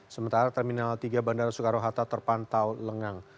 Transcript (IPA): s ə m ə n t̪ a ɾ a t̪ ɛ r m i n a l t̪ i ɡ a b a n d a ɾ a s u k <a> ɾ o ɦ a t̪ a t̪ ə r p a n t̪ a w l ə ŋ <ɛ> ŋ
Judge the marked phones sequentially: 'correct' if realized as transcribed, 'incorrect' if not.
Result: correct, incorrect: a

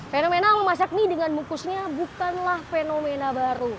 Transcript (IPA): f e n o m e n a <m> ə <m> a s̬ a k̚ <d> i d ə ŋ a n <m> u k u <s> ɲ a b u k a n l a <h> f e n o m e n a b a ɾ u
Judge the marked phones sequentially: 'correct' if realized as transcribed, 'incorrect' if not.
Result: correct, correct, incorrect: n, correct, correct, correct

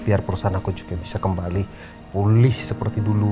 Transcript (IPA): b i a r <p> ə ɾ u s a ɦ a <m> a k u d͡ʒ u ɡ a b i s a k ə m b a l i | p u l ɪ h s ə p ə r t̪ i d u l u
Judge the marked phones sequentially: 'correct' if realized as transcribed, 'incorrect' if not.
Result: correct, incorrect: n

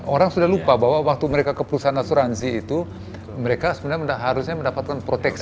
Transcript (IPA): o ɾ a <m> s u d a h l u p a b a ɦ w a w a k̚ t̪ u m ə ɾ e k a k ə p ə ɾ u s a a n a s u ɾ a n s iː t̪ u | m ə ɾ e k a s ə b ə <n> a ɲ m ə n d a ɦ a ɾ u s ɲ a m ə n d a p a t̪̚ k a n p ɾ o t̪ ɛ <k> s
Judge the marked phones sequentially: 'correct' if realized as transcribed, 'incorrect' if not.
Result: incorrect: ŋ, correct, correct

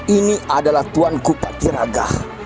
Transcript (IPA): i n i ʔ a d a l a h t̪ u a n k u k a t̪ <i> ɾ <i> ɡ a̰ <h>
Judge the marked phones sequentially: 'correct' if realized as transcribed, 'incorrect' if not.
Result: correct, incorrect: a, correct

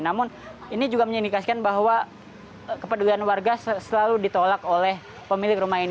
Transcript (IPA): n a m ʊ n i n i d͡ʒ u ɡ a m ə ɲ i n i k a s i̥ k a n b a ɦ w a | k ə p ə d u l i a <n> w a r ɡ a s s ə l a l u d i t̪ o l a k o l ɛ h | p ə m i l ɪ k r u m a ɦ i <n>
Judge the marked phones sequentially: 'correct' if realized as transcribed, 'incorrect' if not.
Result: correct, correct

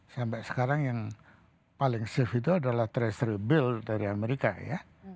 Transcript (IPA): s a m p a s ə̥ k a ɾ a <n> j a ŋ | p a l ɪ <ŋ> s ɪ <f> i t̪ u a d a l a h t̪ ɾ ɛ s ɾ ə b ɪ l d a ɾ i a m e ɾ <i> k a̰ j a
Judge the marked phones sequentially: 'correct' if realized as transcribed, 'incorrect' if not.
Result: incorrect: ŋ, correct, correct, correct

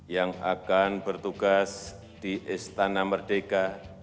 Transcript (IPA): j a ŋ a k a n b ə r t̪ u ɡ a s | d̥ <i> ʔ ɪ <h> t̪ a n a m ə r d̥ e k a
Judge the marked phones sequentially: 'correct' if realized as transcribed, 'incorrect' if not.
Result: correct, incorrect: s

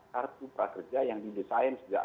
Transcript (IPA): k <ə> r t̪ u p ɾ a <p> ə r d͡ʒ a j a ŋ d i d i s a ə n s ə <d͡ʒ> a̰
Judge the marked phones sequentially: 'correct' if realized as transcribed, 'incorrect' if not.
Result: incorrect: a, incorrect: k, correct

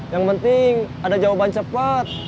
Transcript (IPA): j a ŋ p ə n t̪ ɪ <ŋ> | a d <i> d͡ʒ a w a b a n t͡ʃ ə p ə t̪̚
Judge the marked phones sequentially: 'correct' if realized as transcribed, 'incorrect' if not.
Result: correct, incorrect: a

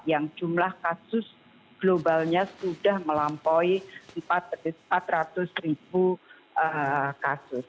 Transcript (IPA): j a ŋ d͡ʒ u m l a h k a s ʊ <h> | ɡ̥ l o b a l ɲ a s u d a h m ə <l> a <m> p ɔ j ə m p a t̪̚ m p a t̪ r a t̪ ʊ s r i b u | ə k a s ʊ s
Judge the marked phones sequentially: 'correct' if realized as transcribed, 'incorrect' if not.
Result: incorrect: s, correct, correct

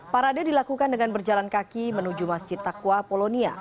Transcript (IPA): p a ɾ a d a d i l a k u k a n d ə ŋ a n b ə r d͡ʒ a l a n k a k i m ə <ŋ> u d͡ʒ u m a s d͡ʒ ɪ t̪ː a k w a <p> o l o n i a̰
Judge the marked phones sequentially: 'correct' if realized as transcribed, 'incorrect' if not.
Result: incorrect: n, correct

